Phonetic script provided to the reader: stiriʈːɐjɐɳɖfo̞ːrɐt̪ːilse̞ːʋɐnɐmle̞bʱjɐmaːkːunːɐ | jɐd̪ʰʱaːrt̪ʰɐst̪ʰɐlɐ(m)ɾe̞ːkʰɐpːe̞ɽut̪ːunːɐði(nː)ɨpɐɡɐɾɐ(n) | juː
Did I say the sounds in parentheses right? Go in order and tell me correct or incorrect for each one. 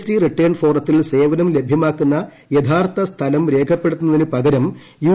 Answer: correct, incorrect, incorrect

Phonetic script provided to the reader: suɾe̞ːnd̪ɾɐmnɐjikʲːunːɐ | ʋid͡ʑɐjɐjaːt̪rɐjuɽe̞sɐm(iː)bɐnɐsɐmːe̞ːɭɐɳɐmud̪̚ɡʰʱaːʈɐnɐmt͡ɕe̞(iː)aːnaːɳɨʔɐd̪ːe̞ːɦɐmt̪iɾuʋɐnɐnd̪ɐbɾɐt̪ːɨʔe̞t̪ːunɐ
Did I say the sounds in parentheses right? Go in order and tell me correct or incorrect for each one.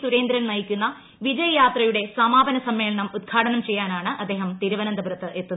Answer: incorrect, incorrect

